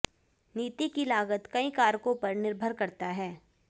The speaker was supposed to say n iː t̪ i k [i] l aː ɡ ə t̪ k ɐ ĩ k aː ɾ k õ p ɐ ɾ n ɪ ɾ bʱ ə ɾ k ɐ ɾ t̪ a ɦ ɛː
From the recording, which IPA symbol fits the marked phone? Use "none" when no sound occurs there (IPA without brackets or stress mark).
i